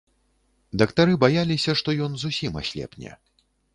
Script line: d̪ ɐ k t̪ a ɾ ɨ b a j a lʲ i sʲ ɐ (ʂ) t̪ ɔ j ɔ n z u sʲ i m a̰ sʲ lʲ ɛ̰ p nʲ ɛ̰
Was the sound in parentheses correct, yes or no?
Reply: yes